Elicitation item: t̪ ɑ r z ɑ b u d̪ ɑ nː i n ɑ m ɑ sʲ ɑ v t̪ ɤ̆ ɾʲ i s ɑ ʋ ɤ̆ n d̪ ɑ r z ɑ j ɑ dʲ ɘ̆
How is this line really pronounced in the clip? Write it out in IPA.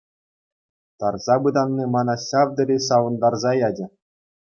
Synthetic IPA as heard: t̪ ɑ r z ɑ b ɯ d̪ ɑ nː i m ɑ n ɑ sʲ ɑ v d̪ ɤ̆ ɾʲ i s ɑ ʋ ɤ̆ n d̪ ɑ r z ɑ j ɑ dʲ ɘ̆